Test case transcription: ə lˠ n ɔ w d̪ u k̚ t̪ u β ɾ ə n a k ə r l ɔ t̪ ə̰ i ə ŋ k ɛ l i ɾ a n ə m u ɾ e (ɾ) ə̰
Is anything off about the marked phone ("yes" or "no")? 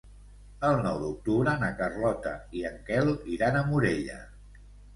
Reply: yes